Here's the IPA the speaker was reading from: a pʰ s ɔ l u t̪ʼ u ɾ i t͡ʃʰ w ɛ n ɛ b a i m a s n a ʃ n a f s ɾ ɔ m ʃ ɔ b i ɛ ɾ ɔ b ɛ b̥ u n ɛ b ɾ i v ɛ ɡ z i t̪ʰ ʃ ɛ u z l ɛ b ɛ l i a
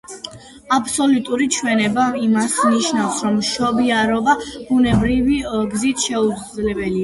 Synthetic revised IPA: a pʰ s ɔ l u t̪ʼ u ɾ i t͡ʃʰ w ɛ n ɛ b a i m a s n i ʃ n a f s ɾ ɔ m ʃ ɔ b i a ɾ ɔ b a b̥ u n ɛ b ɾ i v i ɡ z i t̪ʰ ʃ ɛ u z l ɛ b ɛ l i a